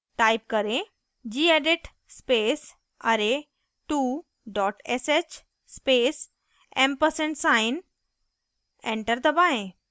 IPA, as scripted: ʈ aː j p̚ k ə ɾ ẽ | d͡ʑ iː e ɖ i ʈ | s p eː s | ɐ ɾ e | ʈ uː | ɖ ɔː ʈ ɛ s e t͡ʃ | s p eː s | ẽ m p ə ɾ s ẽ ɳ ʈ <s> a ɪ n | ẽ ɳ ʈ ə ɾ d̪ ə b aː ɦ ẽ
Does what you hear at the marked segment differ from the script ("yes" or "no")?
no